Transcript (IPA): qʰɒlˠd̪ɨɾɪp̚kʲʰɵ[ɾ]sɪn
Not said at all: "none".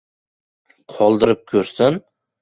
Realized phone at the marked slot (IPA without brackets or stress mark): ɾ